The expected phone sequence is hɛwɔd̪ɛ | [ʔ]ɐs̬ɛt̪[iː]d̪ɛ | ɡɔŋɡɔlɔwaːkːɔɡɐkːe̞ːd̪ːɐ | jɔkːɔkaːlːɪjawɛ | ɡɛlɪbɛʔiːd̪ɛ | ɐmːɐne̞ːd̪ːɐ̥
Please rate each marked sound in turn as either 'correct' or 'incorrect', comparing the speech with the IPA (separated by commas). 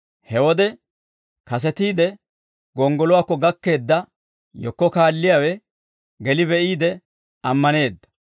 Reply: incorrect, correct